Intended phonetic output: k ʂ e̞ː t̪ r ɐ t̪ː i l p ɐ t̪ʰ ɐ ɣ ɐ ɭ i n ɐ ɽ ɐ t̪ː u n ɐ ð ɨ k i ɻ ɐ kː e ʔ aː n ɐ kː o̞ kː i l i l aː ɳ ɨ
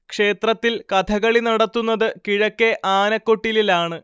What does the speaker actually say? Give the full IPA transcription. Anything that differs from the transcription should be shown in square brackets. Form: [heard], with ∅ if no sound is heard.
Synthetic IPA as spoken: k ʂ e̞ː t̪ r ɐ t̪ː i l [k] ɐ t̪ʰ ɐ ɣ ɐ ɭ i n ɐ ɽ ɐ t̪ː u [nː] ɐ ð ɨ k i ɻ ɐ kː e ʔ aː n ɐ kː o̞ [ʈː] i l i l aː ɳ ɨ